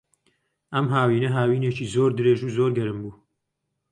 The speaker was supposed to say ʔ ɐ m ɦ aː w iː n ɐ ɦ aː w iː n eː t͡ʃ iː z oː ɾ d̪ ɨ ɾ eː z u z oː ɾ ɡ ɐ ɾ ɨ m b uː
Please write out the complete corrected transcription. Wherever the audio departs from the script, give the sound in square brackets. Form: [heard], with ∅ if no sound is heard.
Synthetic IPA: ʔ ɐ m ɦ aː w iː n ɐ ɦ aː w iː n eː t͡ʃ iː z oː ɾ d̪ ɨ ɾ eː [ʒ] u z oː ɾ ɡ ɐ ɾ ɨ m b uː